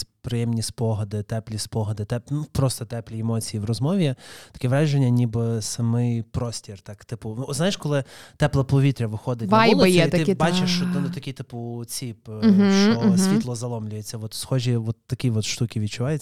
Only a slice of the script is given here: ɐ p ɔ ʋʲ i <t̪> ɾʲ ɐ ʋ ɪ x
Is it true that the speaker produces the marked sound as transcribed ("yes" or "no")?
yes